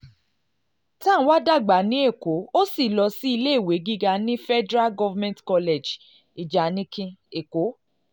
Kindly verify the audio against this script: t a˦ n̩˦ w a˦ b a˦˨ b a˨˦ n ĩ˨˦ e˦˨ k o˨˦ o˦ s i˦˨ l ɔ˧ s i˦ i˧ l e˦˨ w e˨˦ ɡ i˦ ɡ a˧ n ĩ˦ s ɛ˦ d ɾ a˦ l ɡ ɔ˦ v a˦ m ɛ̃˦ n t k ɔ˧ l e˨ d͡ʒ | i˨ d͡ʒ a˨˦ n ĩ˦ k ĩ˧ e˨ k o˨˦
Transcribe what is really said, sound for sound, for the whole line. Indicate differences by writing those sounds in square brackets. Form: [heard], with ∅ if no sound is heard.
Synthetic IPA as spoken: t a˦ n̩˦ w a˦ [d] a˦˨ [ɡ͡b] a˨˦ n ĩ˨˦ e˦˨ k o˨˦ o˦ s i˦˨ l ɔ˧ s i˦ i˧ l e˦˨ w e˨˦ ɡ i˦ ɡ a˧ n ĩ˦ [f] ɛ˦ d ɾ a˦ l ɡ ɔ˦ v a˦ m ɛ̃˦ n t k ɔ˧ l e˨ d͡ʒ | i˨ d͡ʒ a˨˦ n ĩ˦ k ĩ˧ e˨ k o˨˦

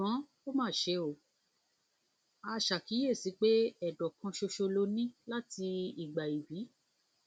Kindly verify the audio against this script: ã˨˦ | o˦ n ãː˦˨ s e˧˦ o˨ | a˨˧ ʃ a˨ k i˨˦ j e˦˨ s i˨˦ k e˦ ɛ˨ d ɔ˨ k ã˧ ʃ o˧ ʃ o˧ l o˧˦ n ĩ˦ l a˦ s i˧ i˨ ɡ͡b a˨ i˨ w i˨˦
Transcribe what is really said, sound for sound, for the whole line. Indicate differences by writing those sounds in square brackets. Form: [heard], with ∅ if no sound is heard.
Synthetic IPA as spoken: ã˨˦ | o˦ [m] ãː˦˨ [ʃ] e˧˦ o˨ | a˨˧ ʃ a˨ k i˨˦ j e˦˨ s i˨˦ [k͡p] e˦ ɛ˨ d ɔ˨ k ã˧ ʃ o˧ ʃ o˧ l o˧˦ n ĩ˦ l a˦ [t] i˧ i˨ ɡ͡b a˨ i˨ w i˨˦

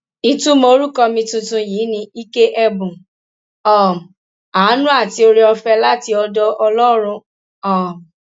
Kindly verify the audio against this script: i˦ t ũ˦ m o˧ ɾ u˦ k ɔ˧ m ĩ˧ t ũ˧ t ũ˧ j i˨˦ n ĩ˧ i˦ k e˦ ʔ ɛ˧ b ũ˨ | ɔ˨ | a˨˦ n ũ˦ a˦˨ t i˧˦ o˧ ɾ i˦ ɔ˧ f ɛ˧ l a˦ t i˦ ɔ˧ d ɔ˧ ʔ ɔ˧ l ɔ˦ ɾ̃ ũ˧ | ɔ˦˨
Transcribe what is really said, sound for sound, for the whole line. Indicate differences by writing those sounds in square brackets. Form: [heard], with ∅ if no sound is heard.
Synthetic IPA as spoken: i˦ t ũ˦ m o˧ ɾ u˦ k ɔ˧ m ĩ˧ t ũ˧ t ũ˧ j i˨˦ n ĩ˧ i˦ k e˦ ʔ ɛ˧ b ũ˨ | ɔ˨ | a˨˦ n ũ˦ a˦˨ t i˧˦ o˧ ɾ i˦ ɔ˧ f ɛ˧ l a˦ t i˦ ɔ˧ d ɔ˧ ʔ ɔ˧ l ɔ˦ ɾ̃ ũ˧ | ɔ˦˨

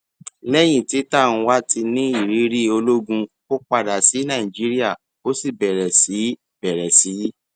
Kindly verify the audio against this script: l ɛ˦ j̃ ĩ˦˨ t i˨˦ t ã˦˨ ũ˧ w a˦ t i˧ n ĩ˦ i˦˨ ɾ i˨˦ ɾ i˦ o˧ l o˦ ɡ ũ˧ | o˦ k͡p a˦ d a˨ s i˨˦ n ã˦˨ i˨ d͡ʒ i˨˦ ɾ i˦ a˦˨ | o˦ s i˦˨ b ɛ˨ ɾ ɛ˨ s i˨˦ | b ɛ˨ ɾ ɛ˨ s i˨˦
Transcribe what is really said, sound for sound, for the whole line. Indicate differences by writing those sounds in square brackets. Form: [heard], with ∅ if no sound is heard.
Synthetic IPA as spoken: l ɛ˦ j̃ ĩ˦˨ t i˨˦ t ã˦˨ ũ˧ w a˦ t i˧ n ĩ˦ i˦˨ ɾ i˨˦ ɾ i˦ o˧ l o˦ ɡ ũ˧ | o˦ k͡p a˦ d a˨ s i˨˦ n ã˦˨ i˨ d͡ʒ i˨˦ ɾ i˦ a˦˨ | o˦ s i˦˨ b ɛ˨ ɾ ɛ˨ s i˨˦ | b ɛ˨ ɾ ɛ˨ s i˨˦

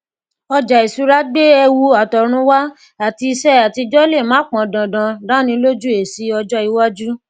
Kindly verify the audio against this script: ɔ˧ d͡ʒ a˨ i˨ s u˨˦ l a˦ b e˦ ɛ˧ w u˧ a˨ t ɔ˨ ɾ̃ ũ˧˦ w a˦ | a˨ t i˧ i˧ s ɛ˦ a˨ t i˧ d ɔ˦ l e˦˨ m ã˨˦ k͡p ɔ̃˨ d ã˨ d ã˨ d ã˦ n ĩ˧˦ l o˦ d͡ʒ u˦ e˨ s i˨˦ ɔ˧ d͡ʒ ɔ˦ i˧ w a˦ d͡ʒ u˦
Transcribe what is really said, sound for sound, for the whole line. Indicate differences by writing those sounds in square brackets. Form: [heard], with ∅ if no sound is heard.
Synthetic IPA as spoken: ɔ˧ d͡ʒ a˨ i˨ s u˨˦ [ɾ] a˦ [ɡ͡b] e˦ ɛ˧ w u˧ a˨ t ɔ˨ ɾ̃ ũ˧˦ w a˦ | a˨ t i˧ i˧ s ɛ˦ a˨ t i˧ [d͡ʒ] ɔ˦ l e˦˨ m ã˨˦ k͡p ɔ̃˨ d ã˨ d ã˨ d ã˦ n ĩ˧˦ l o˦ d͡ʒ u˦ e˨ s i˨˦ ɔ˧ d͡ʒ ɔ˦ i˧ w a˦ d͡ʒ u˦

